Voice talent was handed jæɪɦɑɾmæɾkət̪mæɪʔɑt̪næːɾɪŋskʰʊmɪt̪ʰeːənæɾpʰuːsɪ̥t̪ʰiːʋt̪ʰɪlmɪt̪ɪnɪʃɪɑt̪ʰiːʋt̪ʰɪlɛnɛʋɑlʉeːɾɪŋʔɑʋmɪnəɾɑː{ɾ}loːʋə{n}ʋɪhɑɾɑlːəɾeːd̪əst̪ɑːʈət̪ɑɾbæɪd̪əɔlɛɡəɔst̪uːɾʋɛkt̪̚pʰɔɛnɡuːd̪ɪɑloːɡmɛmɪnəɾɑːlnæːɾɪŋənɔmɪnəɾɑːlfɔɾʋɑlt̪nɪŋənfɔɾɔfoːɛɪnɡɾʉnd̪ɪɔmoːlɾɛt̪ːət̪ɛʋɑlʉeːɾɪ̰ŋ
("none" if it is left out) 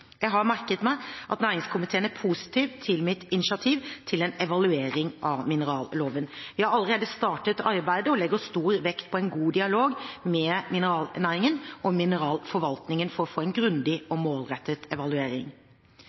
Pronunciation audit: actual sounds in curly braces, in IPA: l, n

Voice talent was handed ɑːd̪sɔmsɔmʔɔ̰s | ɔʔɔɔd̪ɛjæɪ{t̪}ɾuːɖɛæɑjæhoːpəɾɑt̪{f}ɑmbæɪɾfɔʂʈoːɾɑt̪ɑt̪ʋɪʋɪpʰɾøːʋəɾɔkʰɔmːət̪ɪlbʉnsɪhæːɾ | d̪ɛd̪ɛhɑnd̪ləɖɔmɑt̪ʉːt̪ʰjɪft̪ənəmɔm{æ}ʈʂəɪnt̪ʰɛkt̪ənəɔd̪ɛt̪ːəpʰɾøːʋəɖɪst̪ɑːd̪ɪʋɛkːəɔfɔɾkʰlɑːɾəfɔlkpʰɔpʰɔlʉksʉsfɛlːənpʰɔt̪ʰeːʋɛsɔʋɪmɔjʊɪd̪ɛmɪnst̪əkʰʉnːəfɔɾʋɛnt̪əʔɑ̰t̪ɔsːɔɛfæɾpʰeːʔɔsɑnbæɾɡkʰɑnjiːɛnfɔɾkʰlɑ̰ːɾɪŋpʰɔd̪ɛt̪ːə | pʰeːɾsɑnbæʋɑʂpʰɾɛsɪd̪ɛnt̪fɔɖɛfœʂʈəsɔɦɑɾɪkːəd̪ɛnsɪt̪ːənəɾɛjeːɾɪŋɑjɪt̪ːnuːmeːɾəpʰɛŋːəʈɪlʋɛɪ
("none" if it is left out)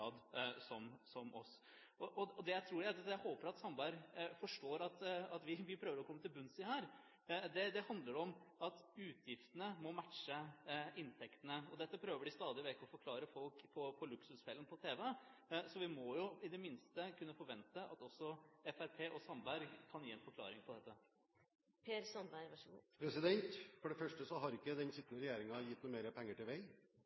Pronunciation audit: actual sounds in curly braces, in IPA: t̪ʰ, s, æ

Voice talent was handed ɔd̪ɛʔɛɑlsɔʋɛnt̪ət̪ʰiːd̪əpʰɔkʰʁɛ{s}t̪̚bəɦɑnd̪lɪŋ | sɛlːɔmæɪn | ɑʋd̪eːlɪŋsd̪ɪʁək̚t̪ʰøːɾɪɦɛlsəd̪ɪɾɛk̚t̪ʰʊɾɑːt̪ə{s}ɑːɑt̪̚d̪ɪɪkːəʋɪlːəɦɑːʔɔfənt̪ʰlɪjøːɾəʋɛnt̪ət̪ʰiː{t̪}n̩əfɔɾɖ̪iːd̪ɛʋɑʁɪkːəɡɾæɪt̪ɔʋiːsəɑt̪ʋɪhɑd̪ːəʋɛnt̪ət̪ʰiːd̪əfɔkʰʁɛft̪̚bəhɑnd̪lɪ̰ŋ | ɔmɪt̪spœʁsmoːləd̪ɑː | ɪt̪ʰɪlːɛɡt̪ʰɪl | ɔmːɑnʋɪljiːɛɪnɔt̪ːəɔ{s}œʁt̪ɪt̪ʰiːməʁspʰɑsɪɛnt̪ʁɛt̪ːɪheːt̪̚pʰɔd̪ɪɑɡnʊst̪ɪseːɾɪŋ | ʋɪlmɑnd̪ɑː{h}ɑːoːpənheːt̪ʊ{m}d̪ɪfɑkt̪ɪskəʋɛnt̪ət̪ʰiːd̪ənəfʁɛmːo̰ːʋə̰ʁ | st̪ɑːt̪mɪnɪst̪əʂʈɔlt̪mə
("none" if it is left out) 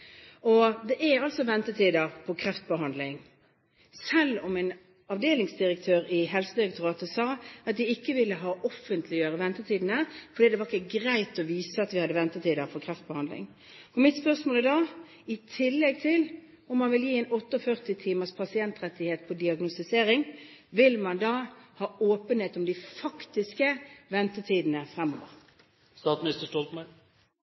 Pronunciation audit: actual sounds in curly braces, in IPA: f, s, d̪, f, h, m

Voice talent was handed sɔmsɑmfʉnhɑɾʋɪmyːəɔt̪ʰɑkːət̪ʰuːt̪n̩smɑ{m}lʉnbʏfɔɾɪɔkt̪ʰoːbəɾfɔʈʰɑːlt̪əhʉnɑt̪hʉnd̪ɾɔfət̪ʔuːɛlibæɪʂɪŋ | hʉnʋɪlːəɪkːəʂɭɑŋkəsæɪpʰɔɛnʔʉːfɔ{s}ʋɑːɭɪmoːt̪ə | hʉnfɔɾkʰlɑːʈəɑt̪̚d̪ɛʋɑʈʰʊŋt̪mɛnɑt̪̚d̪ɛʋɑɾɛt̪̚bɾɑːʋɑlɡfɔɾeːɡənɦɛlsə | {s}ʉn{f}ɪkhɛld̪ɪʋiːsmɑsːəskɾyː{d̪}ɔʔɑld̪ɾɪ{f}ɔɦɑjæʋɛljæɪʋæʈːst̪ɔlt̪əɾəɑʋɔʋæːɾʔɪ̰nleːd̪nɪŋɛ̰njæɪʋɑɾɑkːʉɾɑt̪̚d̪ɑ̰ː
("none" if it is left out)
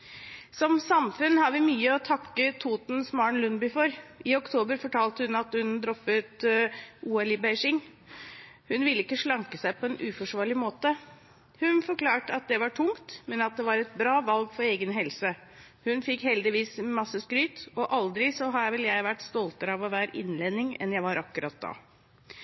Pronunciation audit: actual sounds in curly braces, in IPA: ɳ, ʂ, h, f, t̪, s

